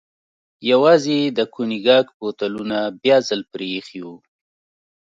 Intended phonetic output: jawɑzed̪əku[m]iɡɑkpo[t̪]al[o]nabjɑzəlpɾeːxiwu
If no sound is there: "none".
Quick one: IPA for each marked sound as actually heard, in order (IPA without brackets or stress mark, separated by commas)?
n, t̪, u